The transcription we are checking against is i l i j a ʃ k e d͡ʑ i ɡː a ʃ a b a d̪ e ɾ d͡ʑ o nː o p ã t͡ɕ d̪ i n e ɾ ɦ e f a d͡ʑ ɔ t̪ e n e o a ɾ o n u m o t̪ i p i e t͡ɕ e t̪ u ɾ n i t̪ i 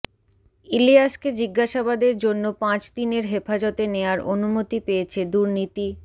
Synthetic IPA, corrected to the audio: i l i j a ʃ k e d͡ʑ i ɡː a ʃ a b a d̪ e ɾ d͡ʑ o nː o p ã t͡ɕ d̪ i n e ɾ ɦ e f a d͡ʑ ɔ t̪ e n e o a ɾ o n u m o t̪ i p e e t͡ɕʰ e d̪ u ɾ n i t̪ i